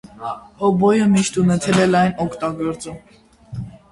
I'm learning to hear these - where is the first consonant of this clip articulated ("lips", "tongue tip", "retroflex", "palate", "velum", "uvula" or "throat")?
throat